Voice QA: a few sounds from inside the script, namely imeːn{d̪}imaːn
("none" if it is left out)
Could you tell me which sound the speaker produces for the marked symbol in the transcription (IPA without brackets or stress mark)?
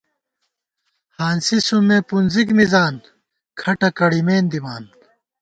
d̪